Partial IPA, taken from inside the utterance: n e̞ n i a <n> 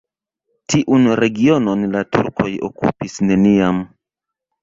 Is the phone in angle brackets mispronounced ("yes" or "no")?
yes